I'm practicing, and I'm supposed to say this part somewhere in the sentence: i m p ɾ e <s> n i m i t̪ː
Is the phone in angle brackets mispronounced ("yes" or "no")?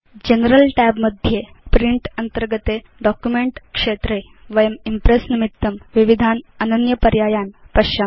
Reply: no